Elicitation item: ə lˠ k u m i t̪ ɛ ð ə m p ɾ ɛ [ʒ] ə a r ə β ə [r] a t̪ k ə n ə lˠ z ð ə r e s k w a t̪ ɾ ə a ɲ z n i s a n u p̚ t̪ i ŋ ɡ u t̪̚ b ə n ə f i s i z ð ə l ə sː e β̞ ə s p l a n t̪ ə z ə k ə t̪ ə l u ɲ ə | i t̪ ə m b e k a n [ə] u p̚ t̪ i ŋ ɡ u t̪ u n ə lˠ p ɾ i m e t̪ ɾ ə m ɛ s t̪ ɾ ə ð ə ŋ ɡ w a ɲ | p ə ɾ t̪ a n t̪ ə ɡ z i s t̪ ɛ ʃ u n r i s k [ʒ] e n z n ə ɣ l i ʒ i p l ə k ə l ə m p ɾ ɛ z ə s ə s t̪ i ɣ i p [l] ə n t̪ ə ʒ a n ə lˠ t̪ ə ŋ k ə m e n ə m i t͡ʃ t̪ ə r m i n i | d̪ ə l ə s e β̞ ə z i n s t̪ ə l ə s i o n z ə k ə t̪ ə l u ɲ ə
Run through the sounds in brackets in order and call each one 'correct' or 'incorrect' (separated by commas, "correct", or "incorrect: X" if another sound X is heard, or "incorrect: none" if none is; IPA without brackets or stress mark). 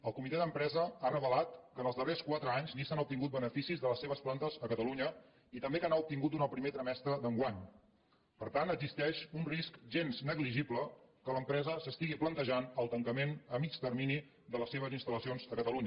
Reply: incorrect: z, incorrect: l, incorrect: a, correct, correct